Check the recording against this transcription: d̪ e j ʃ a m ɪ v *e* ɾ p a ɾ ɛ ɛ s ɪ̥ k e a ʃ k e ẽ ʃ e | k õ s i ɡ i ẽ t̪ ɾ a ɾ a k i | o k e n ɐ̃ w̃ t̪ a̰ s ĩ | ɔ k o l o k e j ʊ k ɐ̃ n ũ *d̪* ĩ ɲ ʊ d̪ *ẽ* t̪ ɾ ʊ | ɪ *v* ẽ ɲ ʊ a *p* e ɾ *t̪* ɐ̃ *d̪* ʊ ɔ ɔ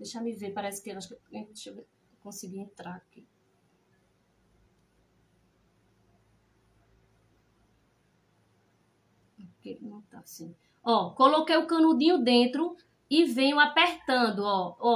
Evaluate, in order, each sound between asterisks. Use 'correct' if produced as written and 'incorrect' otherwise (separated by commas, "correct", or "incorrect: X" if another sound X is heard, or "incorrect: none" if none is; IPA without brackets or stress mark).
correct, correct, correct, correct, correct, correct, correct